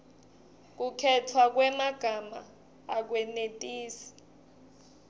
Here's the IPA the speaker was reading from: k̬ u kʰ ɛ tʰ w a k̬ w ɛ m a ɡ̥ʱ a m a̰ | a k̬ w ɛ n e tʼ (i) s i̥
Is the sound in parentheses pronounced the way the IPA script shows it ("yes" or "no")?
no